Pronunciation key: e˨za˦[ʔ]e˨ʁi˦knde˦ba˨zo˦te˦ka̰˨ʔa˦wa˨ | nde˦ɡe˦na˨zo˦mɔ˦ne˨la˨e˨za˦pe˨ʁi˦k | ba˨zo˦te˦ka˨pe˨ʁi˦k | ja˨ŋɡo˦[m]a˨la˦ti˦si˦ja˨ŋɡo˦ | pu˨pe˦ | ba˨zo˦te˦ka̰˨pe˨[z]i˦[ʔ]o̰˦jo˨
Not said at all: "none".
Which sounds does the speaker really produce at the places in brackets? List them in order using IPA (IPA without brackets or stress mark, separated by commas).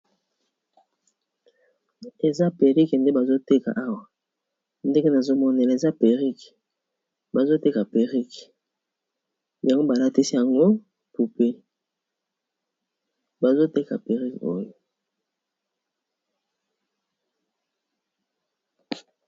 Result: p, b, ʁ, k